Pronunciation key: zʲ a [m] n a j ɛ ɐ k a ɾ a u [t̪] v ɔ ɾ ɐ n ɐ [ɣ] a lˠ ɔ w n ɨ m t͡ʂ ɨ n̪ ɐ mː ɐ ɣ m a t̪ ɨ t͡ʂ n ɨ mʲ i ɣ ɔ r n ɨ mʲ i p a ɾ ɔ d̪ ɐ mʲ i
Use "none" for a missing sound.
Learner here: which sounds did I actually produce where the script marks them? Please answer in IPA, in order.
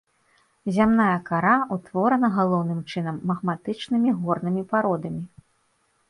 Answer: m, t̪, ɣ

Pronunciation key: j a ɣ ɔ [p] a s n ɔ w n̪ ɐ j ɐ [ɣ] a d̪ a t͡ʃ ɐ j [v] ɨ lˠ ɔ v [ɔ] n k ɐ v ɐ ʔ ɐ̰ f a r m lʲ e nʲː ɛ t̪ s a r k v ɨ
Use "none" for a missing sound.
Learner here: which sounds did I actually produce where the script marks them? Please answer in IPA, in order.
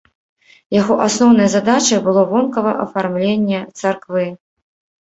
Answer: ʔ, z, b, ɔ

